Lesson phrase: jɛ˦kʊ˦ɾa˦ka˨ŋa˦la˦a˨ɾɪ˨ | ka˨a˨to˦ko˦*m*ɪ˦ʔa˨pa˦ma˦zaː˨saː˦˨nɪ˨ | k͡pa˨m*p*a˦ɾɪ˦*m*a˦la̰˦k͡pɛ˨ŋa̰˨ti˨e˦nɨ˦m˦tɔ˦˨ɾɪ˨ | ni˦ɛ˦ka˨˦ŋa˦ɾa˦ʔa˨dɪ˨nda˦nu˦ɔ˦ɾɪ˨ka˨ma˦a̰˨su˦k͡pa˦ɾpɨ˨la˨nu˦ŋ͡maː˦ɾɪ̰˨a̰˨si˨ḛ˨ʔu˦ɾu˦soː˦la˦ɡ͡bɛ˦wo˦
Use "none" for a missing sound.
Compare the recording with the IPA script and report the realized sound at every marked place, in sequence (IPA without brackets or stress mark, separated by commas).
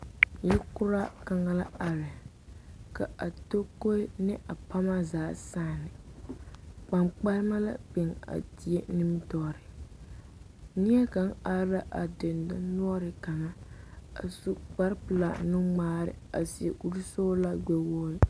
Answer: n, k͡p, m